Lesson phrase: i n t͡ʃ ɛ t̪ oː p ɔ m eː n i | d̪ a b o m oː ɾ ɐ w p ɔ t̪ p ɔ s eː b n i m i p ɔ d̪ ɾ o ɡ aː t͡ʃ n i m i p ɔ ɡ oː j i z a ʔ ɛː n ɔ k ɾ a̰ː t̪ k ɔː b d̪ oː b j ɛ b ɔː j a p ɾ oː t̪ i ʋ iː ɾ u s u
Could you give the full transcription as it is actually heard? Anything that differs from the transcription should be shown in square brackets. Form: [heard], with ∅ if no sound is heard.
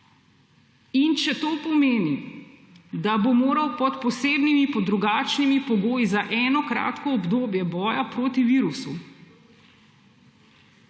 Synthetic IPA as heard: i n t͡ʃ ɛ t̪ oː p ɔ m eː n i | d̪ a b o m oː ɾ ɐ w p ɔ t̪ p ɔ s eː b n i m i p ɔ d̪ ɾ [u] ɡ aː t͡ʃ n i m i p ɔ ɡ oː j i z a ʔ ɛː n ɔ k ɾ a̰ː t̪ k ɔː b d̪ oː b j ɛ b ɔː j a p ɾ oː t̪ i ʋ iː ɾ u s u